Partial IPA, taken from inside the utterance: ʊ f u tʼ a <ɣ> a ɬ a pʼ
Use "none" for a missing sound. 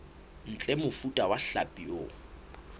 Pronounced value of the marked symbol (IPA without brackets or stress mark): w